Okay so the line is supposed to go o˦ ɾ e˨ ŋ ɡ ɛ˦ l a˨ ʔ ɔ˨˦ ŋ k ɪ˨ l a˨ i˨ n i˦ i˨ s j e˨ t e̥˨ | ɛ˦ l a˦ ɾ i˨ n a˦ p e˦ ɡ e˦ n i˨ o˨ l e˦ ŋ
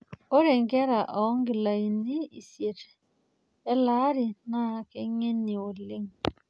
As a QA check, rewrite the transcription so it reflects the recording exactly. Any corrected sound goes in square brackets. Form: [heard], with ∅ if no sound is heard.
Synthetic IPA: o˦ ɾ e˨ ŋ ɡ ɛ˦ [ɾ] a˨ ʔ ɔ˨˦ ŋ [ɡ] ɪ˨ l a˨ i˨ n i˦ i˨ s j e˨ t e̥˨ | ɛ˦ l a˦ ɾ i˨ n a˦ [k] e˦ [ŋ] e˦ n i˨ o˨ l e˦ ŋ